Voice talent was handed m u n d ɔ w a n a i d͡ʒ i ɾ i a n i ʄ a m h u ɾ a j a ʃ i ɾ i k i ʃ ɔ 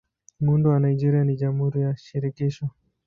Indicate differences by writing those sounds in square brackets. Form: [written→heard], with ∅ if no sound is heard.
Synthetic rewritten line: m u n d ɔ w a n a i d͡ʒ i ɾ i a n i ʄ a m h u ɾ [a→i] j a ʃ i ɾ i k i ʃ ɔ